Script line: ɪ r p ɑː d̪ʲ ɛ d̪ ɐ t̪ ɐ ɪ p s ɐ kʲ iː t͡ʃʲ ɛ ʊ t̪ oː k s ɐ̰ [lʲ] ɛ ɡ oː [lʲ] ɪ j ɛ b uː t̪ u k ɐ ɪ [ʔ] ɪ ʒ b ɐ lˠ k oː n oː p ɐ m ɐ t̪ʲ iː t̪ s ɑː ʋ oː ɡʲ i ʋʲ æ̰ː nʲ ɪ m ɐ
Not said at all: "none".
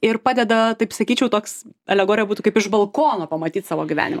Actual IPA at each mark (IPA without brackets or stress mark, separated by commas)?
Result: lʲ, ɾʲ, p